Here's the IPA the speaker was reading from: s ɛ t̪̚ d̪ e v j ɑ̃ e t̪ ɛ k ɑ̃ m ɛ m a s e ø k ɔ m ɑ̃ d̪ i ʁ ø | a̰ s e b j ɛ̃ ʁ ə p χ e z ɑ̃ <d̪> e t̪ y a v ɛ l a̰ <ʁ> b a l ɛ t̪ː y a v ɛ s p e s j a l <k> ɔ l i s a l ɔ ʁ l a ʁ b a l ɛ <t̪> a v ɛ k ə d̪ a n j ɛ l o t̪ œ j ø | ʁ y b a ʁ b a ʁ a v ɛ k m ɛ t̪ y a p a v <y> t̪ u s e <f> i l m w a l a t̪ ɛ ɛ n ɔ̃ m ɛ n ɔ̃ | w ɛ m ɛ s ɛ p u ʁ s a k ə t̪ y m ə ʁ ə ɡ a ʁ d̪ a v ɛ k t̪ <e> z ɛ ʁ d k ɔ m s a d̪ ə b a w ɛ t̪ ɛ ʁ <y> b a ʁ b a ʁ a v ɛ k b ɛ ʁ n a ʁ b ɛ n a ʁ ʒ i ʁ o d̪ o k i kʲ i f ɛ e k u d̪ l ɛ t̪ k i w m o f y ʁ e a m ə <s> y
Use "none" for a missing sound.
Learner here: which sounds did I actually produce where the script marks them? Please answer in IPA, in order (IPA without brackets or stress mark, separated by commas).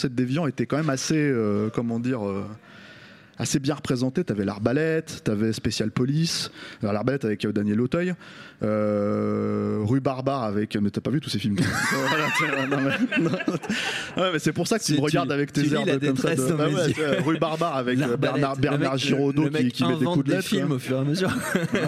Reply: t̪, ʁ, p, t̪, y, f, e, y, z